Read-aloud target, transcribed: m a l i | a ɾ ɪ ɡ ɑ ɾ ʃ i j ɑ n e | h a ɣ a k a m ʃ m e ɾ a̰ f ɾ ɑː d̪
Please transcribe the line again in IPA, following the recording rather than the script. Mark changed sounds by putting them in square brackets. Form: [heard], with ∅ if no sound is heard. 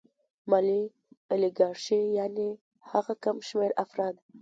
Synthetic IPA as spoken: m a l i | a [l] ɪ ɡ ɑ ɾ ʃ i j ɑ n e | h a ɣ a k a m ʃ m e ɾ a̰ f ɾ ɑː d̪